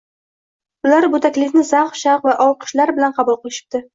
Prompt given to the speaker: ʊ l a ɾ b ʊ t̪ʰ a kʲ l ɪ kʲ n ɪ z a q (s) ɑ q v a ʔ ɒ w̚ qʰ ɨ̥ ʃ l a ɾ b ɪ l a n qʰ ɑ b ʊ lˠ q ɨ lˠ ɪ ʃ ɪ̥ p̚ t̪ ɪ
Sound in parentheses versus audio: incorrect: ʃ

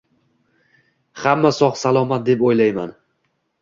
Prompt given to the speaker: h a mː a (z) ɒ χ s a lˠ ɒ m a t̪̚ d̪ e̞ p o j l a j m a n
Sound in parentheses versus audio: incorrect: s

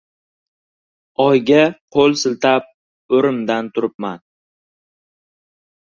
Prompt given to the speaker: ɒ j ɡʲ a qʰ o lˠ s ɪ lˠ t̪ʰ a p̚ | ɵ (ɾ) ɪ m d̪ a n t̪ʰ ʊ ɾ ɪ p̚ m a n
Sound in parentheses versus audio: correct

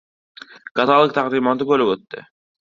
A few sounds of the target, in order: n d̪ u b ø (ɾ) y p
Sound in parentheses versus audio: incorrect: l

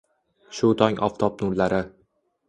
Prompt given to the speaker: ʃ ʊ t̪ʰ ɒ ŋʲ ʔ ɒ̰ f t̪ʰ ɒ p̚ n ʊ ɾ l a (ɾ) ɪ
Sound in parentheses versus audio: correct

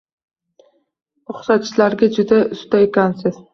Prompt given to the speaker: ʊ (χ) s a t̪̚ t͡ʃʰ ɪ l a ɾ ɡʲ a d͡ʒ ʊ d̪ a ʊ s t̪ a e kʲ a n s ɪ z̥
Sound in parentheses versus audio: correct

